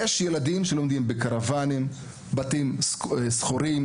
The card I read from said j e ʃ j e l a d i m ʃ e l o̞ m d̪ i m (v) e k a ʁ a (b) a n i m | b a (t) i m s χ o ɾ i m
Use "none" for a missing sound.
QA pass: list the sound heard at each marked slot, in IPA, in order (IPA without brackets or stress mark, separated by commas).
b, v, t